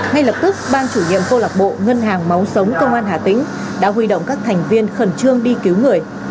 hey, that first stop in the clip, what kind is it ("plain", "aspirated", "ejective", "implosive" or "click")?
plain